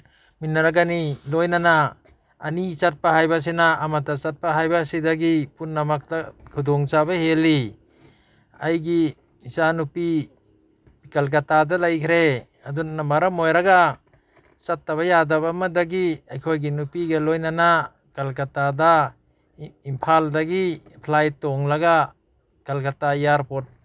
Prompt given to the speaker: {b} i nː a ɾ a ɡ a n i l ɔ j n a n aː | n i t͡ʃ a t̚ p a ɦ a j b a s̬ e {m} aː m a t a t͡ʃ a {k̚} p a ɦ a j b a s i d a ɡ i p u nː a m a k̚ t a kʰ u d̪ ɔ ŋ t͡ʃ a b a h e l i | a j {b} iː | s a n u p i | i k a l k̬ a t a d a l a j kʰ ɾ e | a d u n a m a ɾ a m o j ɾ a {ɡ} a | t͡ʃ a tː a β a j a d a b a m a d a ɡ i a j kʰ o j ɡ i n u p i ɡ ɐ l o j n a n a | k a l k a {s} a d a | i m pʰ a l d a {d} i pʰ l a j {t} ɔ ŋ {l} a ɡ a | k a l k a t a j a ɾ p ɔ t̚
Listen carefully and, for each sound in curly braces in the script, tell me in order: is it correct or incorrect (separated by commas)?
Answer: incorrect, incorrect, incorrect, incorrect, correct, incorrect, incorrect, correct, correct